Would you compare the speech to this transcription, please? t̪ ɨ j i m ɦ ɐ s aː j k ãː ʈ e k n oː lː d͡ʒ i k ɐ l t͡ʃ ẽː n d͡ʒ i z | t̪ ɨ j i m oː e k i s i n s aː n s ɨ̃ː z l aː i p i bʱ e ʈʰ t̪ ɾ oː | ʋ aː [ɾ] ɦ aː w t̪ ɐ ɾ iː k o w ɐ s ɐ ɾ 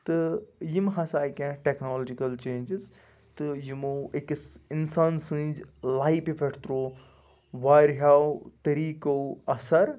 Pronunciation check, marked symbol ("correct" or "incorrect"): correct